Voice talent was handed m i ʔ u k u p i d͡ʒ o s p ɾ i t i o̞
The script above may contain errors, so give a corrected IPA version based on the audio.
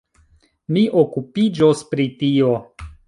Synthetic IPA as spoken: m i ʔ o k u p i d͡ʒ o s p ɾ i t i o̞